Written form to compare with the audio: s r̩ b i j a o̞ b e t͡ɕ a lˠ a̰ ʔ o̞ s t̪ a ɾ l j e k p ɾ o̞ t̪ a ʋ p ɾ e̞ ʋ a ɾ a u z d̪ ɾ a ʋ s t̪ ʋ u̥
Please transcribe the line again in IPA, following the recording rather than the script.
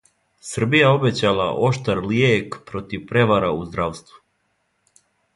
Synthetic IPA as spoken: s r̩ b i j a o̞ b e t͡ɕ a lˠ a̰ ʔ o̞ ʃ t̪ a ɾ l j e k p ɾ o̞ t̪ i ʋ p ɾ e̞ ʋ a ɾ a u z d̪ ɾ a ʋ s t̪ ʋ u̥

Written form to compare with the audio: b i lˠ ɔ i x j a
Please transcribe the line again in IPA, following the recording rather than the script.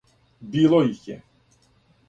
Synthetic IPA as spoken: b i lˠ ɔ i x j ɛ

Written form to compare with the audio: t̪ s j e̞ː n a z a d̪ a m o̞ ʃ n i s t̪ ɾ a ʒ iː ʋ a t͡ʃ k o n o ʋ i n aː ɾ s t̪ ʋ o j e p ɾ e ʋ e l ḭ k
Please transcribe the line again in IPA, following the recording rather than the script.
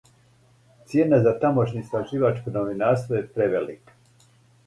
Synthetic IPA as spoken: t̪ s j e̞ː n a z a t̪ a m o̞ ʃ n i s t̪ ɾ a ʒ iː ʋ a t͡ʃ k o n o ʋ i n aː ɾ s t̪ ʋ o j e p ɾ e ʋ e l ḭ k

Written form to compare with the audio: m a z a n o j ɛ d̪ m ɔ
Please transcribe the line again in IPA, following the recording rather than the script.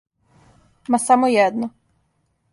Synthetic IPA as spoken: m a s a m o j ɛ d̪ n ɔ

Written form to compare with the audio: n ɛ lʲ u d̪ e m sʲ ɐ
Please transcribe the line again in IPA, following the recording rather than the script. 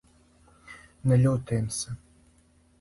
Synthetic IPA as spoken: n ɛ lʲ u t̪ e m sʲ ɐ

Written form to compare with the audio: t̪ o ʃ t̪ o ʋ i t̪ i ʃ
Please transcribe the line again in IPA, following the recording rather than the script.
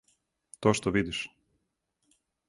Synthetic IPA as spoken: t̪ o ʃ t̪ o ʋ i d̪ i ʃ

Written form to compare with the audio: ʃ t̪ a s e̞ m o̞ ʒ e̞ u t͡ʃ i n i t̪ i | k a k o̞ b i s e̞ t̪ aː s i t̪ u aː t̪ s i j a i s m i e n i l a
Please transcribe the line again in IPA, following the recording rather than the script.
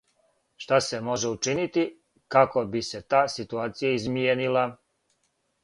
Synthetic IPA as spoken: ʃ t̪ a s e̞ m o̞ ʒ e̞ u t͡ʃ i n i t̪ i | k a k o̞ b i s e̞ t̪ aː s i t̪ u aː t̪ s i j a i z m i e n i l a

